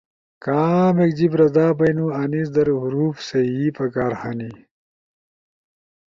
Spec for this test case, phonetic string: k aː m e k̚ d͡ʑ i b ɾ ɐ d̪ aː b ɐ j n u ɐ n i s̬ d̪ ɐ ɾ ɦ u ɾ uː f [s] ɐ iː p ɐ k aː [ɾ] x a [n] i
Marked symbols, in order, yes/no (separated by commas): yes, yes, yes